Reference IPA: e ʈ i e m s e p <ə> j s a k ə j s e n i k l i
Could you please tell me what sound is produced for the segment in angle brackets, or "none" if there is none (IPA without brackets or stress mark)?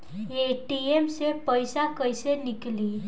ə